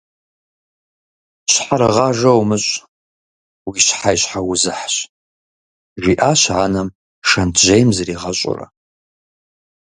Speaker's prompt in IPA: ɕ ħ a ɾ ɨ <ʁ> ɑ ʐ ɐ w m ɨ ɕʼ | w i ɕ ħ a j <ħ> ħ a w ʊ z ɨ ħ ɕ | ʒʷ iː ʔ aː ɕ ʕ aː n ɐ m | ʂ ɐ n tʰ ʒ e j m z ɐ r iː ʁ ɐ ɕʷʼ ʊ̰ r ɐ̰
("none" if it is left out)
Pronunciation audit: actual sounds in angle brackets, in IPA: ʁ, ɕ

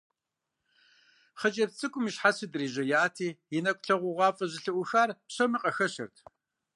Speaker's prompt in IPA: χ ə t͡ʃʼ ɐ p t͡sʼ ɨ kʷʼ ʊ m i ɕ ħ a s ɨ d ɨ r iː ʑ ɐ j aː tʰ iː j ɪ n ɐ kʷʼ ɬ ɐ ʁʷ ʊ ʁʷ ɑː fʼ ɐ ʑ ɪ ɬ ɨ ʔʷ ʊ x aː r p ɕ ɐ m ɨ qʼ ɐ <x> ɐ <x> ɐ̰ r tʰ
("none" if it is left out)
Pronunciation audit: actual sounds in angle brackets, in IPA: x, ɕ

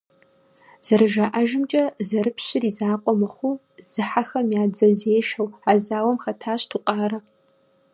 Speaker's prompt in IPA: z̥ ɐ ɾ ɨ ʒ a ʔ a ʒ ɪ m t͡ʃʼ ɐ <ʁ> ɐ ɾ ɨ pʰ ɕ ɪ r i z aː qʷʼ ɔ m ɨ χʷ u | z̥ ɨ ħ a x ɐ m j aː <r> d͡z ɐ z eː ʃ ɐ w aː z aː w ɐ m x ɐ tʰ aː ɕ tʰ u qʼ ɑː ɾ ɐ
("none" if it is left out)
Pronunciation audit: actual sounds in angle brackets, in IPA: z, none

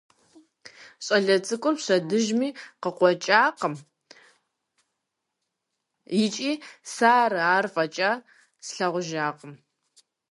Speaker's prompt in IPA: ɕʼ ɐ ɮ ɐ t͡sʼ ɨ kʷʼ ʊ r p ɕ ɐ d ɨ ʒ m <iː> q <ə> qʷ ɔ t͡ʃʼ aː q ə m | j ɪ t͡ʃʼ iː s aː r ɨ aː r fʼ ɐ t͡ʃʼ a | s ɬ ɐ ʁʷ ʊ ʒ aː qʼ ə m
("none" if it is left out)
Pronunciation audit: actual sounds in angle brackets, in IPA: iː, ə

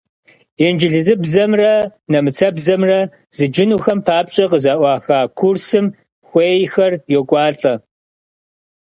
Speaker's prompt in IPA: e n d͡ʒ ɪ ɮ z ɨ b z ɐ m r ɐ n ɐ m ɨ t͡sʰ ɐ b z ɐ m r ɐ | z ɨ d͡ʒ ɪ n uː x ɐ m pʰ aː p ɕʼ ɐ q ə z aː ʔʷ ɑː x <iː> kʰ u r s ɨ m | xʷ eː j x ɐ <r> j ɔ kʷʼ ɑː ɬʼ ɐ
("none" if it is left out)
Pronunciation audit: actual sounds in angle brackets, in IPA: aː, r

